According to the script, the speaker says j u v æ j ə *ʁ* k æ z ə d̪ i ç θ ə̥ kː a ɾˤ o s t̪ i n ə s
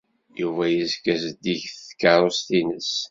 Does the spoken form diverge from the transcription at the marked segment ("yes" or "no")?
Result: yes